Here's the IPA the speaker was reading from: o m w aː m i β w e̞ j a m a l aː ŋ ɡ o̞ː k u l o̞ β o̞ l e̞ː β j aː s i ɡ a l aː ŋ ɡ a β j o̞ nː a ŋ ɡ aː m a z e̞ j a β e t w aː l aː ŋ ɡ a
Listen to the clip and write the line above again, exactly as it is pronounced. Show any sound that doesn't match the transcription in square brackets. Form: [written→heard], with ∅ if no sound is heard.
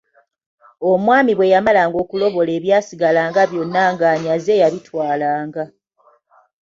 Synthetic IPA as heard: o m w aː m i β w e̞ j a m a l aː ŋ ɡ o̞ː k u l o̞ β o̞ l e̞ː β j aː s i ɡ a l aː ŋ ɡ a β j o̞ nː a ŋ ɡ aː [m→ɲ] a z e̞ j a β [e→i] t w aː l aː ŋ ɡ a